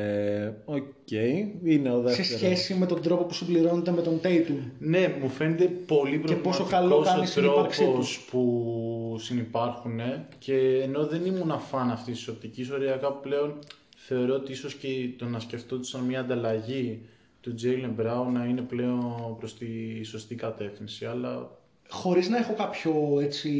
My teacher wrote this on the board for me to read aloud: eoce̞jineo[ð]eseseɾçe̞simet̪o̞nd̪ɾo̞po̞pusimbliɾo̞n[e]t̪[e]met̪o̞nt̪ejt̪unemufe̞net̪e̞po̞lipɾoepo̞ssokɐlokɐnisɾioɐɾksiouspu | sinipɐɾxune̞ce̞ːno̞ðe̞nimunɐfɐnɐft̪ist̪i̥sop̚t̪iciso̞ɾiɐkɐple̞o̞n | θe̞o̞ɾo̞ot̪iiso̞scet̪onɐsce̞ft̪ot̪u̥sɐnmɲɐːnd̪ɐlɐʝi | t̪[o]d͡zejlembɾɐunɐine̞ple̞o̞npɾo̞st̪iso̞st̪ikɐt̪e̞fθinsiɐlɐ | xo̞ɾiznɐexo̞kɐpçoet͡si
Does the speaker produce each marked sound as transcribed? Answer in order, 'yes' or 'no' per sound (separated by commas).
yes, yes, yes, no